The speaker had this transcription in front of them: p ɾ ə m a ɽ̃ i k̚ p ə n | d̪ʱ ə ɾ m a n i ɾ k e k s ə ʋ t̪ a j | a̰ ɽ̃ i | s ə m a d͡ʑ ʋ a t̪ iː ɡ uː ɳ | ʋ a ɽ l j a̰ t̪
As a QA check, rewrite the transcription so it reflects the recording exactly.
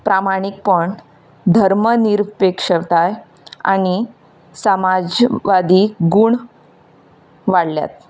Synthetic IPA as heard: p ɾ a m a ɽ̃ i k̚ p ə ɳ | d̪ʱ ə ɾ m ə n i ɾ p e k ʂ ə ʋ t̪ a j | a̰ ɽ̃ i | s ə m a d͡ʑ ʋ a d̪ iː ɡ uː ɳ | ʋ a ɽ l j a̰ t̪